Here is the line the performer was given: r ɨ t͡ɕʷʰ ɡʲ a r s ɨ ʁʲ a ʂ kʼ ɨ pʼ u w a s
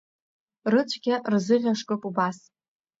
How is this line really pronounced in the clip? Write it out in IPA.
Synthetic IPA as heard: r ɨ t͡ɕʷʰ ɡʲ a r z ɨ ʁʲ a ʂ kʼ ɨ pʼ u b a s